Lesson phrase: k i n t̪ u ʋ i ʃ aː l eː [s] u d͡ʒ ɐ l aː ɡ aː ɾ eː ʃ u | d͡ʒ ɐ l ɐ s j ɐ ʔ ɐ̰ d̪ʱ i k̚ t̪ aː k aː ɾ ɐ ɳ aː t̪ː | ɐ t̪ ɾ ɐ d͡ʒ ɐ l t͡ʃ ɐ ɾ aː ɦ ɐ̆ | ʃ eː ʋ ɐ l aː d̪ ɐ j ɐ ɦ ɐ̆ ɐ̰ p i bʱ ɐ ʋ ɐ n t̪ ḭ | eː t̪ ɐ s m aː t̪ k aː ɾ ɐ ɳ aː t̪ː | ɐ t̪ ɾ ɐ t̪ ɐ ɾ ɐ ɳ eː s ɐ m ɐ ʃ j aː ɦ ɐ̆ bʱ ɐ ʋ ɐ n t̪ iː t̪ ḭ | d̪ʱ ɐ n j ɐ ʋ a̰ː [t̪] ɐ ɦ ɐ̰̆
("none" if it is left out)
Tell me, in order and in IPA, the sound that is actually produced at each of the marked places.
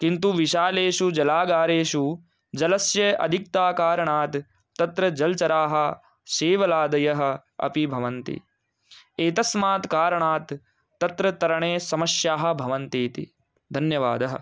ʃ, d̪

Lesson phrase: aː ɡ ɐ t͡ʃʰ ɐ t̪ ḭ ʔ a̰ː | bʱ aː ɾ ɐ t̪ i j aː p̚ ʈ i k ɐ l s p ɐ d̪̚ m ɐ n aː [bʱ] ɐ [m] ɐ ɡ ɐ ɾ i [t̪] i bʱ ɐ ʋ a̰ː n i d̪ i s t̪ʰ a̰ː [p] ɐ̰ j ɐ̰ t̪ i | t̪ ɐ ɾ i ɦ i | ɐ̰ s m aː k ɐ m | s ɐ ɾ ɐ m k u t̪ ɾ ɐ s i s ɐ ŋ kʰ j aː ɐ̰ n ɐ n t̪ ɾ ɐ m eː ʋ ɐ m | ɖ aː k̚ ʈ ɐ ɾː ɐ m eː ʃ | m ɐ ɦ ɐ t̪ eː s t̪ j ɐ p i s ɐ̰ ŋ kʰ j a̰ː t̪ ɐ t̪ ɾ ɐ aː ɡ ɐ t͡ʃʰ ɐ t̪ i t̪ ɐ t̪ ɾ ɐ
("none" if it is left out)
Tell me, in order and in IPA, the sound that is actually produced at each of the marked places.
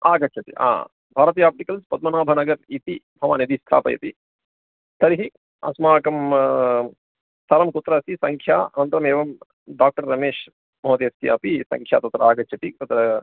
bʱ, n, t̪, p

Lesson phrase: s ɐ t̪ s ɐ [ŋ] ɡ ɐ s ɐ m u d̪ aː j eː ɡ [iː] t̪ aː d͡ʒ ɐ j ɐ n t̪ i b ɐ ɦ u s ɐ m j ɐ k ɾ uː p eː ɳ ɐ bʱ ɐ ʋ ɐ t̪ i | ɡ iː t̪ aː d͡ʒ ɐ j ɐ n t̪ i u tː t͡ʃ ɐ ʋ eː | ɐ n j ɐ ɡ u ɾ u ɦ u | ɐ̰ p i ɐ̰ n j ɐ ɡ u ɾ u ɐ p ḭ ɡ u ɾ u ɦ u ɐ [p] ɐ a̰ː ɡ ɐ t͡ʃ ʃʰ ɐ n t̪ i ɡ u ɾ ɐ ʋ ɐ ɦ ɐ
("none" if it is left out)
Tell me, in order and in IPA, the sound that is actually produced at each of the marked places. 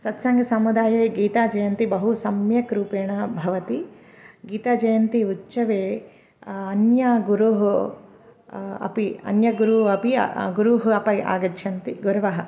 ŋ, iː, p

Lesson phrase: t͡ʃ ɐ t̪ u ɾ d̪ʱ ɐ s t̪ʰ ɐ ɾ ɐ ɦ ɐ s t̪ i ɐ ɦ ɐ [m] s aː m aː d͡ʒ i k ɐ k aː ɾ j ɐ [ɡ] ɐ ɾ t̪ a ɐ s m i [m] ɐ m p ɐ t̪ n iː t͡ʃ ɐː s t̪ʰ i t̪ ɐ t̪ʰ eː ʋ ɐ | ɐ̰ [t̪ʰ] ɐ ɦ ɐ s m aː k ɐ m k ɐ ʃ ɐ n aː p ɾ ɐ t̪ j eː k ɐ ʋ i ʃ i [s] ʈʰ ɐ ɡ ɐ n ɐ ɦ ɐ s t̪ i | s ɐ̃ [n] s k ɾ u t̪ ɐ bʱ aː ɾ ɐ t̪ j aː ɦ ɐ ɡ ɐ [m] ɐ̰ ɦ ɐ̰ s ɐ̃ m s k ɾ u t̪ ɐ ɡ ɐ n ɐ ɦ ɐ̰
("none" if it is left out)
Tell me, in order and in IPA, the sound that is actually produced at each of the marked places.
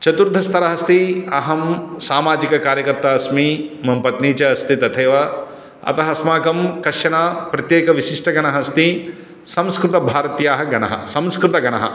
m, k, m, t̪, ʂ, m, n

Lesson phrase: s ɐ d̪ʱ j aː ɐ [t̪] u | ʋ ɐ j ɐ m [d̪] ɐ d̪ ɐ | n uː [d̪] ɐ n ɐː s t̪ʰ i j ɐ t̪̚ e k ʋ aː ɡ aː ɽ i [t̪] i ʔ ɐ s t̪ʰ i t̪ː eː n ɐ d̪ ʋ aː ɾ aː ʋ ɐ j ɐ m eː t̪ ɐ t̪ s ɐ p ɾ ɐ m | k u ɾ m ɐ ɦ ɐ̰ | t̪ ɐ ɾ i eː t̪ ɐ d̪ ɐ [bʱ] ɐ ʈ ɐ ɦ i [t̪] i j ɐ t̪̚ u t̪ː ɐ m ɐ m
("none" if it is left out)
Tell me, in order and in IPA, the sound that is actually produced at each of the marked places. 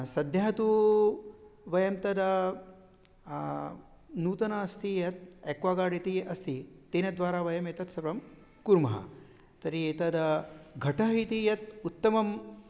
t̪, t̪, t̪, t̪, ɡʱ, t̪

